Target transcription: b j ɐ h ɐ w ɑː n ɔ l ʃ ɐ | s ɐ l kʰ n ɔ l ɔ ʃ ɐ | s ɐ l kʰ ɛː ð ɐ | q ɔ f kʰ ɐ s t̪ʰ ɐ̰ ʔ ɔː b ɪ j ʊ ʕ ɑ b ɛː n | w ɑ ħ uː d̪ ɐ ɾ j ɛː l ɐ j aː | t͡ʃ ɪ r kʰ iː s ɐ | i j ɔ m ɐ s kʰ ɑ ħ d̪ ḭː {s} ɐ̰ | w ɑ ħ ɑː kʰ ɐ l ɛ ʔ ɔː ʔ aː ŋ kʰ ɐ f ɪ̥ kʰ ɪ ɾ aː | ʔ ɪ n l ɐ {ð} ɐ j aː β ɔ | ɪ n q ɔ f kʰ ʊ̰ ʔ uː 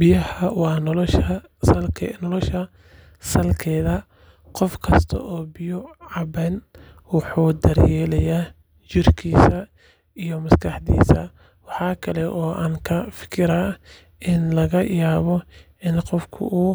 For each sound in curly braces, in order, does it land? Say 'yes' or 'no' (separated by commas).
yes, no